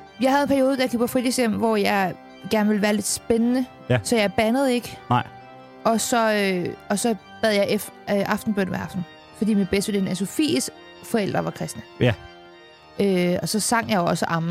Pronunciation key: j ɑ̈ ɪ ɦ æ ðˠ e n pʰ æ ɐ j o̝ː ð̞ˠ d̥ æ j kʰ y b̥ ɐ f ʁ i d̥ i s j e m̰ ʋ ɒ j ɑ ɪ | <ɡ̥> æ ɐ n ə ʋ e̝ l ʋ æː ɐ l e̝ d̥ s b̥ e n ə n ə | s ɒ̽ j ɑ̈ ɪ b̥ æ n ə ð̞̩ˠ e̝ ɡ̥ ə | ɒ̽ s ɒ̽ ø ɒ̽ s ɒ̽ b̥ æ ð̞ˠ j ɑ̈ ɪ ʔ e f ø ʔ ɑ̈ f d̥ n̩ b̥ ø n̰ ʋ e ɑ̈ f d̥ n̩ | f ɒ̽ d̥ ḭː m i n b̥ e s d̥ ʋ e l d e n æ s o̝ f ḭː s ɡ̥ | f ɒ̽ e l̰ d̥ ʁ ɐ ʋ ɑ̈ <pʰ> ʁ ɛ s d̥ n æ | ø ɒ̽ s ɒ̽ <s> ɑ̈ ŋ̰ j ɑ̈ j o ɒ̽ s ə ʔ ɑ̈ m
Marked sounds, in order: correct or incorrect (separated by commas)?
correct, incorrect, correct